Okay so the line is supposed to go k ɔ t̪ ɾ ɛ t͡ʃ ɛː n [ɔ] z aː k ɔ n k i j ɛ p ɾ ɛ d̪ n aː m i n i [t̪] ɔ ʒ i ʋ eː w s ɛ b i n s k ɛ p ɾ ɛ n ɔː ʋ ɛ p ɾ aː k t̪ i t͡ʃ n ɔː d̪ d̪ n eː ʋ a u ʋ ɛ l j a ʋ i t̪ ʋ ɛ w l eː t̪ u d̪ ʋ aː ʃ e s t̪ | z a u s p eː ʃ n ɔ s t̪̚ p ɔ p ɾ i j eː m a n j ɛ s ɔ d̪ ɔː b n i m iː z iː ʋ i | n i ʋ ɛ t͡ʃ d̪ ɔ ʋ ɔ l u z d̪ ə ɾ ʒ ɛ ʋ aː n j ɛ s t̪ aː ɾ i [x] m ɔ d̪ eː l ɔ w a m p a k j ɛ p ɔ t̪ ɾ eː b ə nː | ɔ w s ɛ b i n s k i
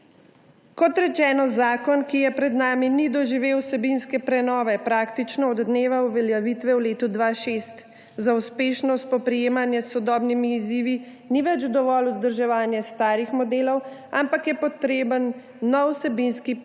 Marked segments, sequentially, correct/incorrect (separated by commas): correct, incorrect, correct